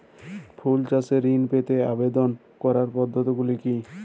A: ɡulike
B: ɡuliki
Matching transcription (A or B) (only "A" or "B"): B